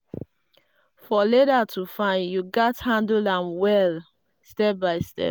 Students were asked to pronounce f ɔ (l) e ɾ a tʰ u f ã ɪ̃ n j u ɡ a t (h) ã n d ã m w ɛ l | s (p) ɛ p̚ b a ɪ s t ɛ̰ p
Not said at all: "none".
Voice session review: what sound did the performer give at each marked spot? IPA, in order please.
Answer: l, h, t

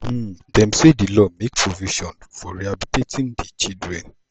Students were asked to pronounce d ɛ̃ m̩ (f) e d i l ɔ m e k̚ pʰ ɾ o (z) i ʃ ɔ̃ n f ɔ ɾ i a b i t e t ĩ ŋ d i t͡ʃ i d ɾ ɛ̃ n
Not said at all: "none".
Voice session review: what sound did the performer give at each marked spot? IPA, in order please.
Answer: s, v

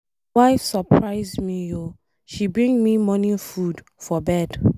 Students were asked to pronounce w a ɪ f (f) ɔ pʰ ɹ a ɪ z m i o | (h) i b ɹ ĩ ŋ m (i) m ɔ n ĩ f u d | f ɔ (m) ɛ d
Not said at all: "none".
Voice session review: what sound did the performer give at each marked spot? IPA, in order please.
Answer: s, ʃ, i, b

